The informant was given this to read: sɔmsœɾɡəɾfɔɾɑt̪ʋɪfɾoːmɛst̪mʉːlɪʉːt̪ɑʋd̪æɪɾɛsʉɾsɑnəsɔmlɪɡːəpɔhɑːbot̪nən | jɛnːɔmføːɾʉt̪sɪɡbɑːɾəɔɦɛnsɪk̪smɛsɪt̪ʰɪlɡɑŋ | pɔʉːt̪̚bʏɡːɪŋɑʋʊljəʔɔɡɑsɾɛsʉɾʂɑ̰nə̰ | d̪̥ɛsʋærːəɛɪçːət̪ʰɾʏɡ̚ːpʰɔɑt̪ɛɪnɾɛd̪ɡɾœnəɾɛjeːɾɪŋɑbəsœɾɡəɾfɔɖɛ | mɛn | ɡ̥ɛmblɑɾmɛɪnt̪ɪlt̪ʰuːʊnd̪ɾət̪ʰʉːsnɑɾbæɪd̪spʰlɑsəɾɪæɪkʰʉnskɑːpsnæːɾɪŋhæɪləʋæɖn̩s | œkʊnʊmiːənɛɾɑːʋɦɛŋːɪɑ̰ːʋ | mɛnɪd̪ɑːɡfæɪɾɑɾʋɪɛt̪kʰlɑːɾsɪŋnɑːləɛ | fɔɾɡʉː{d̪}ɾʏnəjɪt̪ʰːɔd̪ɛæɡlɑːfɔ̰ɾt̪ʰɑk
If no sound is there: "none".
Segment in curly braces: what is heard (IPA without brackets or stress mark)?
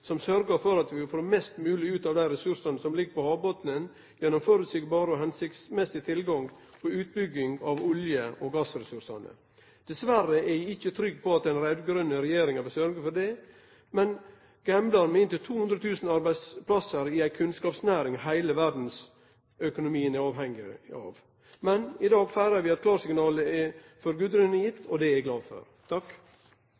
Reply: d̪